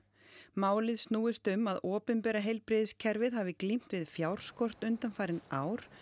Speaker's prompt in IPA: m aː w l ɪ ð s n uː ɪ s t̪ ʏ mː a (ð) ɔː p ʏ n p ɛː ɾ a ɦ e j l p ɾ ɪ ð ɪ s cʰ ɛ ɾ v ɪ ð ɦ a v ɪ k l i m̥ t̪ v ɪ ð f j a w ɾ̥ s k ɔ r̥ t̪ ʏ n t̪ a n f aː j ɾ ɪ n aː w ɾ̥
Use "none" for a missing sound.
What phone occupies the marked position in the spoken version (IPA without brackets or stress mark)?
ð